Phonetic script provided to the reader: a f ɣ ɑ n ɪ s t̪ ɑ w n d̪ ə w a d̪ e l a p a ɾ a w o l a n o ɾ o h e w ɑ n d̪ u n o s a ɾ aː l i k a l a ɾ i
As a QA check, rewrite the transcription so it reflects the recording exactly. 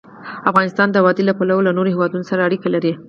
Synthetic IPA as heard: a f ɣ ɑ n ɪ s t̪ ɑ n d̪ ə w ɑ d̪ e l a p a l a w o l a n o ɾ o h e w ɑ d̪ u n o s a ɾ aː ɽ i k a l a ɾ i